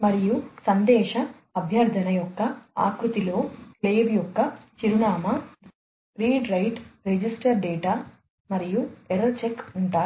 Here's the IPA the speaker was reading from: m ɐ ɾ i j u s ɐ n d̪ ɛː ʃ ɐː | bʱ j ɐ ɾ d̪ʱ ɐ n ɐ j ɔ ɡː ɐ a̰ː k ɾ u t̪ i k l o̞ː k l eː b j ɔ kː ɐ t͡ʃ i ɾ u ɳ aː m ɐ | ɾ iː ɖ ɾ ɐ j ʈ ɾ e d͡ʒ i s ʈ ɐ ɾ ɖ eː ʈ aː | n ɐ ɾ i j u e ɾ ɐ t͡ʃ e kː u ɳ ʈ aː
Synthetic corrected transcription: m ɐ ɾ i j u s ɐ n d̪ ɛː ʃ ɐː | bʱ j ɐ ɾ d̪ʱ ɐ n ɐ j ɔ kː ɐ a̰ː k ɾ u t̪ i l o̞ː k l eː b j ɔ kː ɐ t͡ʃ i ɾ u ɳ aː m ɐ | ɾ iː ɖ ɾ ɐ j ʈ ɾ e d͡ʒ i s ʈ ɐ ɾ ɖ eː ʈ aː | m ɐ ɾ i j u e ɾ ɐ t͡ʃ e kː u ɳ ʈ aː